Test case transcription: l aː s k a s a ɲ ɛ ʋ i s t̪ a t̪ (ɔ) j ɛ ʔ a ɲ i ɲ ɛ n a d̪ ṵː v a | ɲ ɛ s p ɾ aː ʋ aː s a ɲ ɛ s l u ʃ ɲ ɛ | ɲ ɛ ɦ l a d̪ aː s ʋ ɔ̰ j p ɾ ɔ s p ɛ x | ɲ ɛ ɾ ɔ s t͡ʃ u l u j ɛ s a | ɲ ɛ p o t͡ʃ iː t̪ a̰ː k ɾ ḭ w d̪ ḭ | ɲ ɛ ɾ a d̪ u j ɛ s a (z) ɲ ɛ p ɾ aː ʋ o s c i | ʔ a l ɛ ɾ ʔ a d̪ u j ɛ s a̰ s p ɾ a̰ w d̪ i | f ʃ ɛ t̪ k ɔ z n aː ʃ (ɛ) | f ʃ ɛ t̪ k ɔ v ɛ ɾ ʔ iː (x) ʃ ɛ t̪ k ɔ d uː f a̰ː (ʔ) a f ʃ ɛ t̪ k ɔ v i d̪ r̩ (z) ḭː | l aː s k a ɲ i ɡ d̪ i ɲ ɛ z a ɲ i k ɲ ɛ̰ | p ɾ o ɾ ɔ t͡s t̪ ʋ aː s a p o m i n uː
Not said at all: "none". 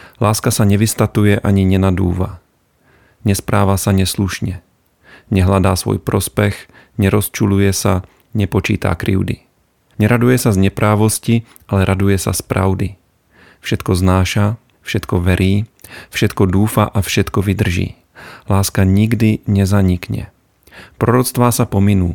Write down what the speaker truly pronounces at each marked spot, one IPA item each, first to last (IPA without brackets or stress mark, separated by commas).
u, z, a, f, ʔ, ʒ